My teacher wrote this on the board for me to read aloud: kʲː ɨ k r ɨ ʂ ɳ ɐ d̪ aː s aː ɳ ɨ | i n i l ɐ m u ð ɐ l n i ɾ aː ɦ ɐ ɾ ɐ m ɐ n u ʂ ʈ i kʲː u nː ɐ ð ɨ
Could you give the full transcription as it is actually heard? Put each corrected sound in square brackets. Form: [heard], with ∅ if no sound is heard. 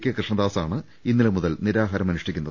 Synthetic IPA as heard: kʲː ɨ k r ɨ ʂ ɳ ɐ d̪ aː s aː ɳ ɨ | i [nː] i l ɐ m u ð ɐ l n i ɾ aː ɦ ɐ ɾ ɐ m ɐ n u ʂ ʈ i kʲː u nː ɐ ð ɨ